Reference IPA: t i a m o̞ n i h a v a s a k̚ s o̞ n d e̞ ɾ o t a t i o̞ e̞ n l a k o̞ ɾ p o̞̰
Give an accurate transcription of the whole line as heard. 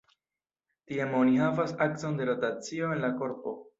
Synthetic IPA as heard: t i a m o̞ n i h a v a s a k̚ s o̞ n d e̞ ɾ o t a t͡s i o̞ e̞ n l a k o̞ ɾ p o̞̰